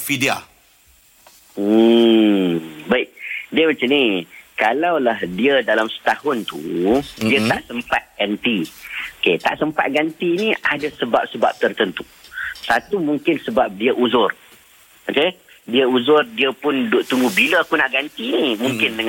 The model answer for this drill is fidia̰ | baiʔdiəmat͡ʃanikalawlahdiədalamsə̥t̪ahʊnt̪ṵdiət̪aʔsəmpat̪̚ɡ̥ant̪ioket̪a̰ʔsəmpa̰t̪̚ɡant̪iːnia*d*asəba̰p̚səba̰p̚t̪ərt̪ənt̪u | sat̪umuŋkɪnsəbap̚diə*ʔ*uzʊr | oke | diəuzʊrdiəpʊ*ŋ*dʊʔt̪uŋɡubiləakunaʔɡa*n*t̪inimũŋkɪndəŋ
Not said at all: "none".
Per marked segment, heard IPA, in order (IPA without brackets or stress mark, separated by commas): d, ʔ, n, n